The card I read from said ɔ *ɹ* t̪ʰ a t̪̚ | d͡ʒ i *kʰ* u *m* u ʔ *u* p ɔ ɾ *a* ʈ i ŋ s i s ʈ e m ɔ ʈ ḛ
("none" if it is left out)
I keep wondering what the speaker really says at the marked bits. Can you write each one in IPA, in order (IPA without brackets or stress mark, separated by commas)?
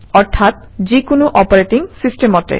ɾ, k, n, ɔ, e